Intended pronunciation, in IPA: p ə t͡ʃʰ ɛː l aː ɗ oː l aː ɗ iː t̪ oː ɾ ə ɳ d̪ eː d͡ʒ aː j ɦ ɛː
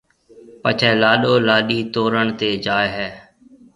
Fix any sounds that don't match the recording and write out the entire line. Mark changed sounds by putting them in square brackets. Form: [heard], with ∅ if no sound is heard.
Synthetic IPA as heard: p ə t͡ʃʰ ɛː l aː ɗ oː l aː ɗ iː t̪ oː ɾ ə ɳ [t̪] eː d͡ʒ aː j ɦ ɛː